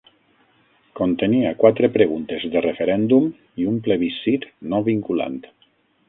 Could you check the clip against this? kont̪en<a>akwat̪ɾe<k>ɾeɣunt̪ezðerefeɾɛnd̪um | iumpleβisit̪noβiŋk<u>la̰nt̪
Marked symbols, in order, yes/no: no, no, yes

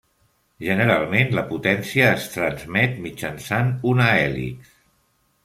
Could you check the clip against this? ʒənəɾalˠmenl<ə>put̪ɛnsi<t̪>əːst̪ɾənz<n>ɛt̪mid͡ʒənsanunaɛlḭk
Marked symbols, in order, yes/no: yes, no, no

